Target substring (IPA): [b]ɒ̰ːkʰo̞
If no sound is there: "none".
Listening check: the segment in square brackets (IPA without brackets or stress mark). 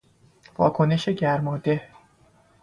v